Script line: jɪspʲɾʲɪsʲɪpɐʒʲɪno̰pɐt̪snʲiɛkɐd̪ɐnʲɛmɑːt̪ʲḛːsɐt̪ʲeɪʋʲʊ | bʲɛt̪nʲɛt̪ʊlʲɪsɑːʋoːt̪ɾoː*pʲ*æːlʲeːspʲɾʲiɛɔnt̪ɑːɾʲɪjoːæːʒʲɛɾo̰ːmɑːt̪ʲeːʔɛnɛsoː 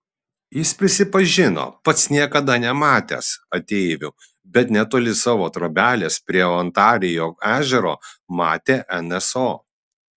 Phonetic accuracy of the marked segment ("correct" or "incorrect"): incorrect